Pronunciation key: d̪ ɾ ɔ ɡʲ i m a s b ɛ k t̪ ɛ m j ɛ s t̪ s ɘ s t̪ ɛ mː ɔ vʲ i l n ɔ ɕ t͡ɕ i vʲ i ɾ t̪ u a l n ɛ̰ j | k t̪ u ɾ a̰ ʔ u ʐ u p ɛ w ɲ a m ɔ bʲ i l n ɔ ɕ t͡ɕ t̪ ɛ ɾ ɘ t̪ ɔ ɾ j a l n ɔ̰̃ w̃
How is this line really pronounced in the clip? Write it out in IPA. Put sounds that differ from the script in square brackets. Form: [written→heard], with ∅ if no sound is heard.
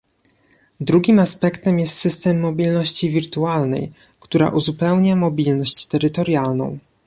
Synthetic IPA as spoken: d̪ ɾ [ɔ→u] ɡʲ i m a s [b→p] ɛ k t̪ ɛ m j ɛ s t̪ s ɘ s t̪ ɛ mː ɔ [vʲ→bʲ] i l n ɔ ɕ t͡ɕ i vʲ i ɾ t̪ u a l n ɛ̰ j | k t̪ u ɾ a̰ ʔ u [ʐ→z] u p ɛ w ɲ a m ɔ bʲ i l n ɔ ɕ t͡ɕ t̪ ɛ ɾ ɘ t̪ ɔ ɾ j a l n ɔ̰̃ w̃